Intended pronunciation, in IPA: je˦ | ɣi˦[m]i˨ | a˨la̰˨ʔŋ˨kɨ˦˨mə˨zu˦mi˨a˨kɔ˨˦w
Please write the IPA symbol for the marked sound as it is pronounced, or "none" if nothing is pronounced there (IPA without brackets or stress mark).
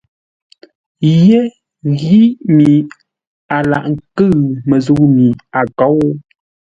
m